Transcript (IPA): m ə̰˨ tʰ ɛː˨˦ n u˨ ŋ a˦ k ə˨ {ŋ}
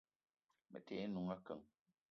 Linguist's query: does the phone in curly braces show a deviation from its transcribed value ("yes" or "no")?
no